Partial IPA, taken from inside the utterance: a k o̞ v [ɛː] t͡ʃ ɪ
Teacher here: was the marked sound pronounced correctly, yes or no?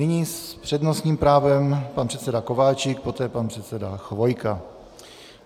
no